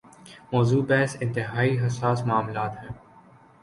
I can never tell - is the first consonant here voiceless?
no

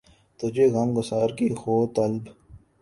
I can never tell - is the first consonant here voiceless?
yes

